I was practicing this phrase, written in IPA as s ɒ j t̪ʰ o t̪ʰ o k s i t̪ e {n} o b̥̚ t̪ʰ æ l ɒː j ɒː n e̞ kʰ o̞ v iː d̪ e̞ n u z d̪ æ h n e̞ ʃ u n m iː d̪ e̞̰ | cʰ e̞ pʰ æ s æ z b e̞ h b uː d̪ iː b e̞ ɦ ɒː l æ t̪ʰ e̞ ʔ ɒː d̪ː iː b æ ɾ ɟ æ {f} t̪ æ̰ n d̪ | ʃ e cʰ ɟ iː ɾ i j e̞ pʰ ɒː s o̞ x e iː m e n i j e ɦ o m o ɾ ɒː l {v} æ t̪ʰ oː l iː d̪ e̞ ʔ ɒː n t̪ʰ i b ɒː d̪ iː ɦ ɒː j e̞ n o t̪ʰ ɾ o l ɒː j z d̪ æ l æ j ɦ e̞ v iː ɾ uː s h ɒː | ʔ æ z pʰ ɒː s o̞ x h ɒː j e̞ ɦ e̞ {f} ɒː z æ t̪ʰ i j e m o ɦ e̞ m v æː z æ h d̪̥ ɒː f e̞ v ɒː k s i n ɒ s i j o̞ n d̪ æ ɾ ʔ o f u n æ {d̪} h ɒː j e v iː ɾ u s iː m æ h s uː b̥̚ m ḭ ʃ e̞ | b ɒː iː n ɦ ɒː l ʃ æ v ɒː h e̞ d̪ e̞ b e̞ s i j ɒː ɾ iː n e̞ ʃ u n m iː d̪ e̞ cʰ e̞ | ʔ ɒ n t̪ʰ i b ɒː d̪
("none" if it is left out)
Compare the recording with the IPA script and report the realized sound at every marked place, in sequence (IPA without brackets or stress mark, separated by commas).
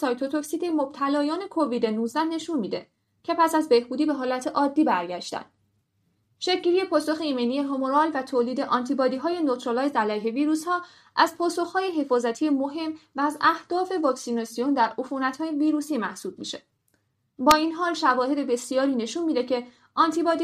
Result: m, ʃ, v, f, t̪